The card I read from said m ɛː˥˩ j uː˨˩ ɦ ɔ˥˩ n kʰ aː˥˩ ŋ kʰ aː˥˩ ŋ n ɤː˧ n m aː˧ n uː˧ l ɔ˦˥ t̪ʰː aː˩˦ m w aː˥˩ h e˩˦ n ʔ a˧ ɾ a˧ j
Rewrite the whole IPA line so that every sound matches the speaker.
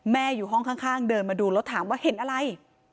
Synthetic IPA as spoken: m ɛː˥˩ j uː˨˩ ɦ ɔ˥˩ ŋ kʰ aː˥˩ ŋ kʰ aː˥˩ ŋ d ɤː˧ n m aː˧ d uː˧ l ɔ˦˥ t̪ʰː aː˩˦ m w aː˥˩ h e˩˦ n ʔ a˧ ɾ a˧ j